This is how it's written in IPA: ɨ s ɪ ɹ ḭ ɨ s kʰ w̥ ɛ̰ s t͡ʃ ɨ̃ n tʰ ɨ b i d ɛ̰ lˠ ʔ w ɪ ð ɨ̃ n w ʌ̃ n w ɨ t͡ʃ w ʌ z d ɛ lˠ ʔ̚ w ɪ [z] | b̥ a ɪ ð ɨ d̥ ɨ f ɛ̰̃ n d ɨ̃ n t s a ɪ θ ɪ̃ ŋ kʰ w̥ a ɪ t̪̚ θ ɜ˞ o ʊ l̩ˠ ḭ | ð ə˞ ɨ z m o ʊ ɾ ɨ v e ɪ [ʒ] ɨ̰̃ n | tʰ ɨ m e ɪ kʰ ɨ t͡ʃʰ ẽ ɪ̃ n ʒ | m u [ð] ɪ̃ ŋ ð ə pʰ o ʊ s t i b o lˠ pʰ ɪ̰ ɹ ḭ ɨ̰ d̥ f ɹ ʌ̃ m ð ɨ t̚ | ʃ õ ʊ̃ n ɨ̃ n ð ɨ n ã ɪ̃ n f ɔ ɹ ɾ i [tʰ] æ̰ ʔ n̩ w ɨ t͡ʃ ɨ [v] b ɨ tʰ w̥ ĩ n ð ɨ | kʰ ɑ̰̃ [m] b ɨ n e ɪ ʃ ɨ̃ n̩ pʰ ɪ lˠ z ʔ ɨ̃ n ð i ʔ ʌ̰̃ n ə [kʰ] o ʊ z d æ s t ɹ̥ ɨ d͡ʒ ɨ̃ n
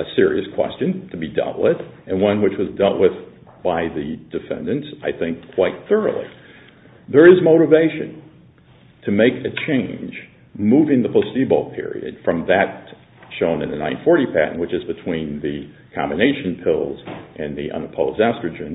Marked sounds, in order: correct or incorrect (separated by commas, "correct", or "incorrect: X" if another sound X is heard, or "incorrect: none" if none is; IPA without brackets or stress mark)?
incorrect: ð, incorrect: ʃ, incorrect: v, incorrect: pʰ, incorrect: z, correct, incorrect: pʰ